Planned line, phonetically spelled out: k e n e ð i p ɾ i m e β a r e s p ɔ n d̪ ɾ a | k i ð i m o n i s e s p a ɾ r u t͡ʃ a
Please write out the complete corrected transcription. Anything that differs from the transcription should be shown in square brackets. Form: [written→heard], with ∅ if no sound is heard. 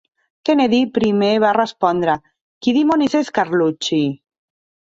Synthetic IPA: k e n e ð i p ɾ i m e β a r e s p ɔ n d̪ ɾ a | k i ð i m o n i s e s [p→k] a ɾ [r→l] u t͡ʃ [a→i]